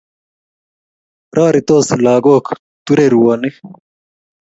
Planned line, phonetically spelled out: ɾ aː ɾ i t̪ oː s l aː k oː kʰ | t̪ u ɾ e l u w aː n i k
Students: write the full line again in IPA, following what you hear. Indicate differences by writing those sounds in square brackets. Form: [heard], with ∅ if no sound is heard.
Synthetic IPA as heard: ɾ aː ɾ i t̪ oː s l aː [ɡ] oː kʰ | t̪ u ɾ e [ɾ] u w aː n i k